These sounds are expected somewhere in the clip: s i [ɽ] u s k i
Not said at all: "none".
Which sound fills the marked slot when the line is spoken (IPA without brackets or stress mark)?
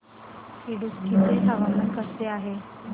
ɽ